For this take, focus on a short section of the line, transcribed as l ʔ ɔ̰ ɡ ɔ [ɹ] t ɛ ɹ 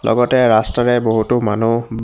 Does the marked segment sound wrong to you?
yes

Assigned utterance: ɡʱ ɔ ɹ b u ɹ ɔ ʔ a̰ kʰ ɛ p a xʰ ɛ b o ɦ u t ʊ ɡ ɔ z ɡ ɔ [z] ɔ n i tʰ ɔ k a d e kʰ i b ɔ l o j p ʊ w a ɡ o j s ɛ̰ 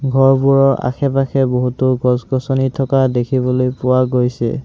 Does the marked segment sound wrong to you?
yes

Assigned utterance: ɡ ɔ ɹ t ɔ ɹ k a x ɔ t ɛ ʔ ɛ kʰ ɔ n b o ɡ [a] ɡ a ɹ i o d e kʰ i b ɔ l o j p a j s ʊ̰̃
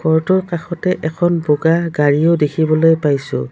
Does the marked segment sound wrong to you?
no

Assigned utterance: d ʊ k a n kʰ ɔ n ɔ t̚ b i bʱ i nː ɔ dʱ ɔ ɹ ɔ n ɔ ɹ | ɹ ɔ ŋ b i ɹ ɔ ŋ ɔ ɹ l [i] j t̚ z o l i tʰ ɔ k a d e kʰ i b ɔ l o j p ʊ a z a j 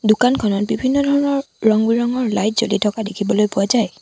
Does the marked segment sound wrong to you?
yes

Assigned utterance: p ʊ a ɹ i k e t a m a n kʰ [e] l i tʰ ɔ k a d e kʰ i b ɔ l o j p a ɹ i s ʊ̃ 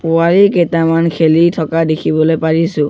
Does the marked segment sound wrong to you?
no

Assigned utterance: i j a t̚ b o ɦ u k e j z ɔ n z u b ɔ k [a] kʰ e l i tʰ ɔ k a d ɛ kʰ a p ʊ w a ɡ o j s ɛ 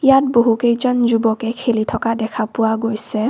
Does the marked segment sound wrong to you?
yes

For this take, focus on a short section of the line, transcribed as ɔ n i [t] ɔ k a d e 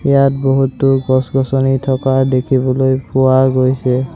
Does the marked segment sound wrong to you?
yes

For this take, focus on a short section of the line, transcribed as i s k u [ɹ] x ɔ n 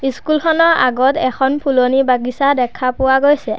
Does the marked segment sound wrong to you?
yes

